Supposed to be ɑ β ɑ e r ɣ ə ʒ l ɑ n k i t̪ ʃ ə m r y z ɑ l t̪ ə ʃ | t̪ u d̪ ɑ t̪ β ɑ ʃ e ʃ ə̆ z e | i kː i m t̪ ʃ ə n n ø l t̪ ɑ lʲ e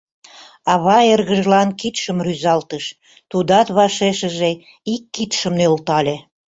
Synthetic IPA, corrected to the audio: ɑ β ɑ e r ɣ ə ʒ l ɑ n k i t̪ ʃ ə m r y z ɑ l t̪ ə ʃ | t̪ u d̪ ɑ t̪ β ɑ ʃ e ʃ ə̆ ʒ e | i kː i t̪ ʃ ə m n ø l t̪ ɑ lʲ e